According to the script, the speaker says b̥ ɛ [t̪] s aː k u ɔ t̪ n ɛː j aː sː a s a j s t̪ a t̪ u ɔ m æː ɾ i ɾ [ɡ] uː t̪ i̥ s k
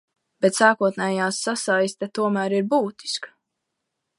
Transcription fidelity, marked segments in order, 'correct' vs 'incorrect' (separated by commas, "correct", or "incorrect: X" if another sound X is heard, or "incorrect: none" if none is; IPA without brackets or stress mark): correct, incorrect: b